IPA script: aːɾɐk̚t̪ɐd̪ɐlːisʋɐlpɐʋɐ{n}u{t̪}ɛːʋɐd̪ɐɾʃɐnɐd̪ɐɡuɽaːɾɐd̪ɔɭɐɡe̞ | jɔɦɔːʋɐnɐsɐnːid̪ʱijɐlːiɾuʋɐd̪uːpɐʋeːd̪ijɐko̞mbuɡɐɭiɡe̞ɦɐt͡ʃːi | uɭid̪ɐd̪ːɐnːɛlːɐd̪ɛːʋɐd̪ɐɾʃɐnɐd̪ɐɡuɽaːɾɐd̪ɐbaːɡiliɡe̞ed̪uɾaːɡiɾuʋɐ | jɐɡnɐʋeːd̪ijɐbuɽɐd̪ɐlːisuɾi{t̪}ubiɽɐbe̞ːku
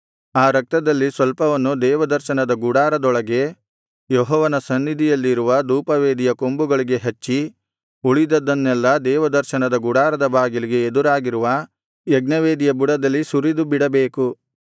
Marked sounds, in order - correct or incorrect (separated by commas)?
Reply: incorrect, incorrect, incorrect